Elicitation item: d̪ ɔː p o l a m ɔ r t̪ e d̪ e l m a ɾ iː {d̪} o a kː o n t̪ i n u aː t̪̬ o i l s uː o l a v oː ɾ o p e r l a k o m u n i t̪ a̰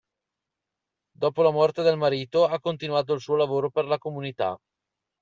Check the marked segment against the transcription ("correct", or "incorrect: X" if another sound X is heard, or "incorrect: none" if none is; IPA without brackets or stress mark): incorrect: t̪